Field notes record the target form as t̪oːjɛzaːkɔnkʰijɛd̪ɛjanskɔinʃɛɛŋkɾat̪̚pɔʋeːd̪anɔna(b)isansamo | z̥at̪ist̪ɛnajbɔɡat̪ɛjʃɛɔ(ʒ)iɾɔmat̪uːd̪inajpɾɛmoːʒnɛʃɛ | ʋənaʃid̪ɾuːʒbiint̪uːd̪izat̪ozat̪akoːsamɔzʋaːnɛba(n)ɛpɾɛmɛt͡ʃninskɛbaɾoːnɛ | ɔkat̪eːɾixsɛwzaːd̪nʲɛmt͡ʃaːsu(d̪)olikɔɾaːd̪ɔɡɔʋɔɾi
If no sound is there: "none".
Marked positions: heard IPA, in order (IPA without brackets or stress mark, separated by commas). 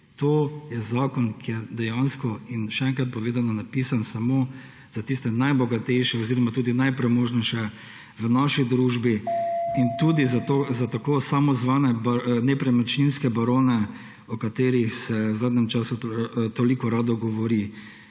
p, z, n, t̪